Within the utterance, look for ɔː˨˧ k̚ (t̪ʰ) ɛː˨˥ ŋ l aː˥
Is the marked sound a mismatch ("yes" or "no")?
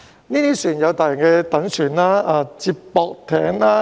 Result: no